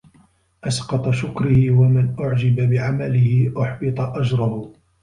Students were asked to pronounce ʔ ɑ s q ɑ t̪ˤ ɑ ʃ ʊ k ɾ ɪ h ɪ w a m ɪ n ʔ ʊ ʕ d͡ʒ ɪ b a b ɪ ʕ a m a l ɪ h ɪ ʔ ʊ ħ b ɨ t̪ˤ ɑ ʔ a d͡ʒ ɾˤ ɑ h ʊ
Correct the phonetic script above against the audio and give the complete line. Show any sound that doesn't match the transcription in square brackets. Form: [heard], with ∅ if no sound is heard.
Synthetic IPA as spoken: ʔ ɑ s q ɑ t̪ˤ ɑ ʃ ʊ k ɾ ɪ h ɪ w a m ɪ n ʔ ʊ ʕ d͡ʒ ɪ b a b ɪ ʕ a m a l ɪ h ɪ ʔ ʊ ħ b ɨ t̪ˤ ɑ ʔ a d͡ʒ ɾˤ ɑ h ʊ